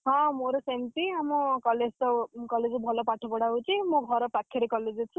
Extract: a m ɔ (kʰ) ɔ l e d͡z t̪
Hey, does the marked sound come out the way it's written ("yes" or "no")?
no